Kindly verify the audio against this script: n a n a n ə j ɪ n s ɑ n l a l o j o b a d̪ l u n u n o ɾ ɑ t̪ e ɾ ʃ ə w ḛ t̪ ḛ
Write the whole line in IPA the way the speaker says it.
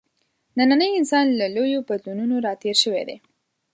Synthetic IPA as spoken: n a n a n ə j ɪ n s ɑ n l a l o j o b a d̪ l u n u n o ɾ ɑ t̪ e ɾ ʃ ə w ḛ d̪ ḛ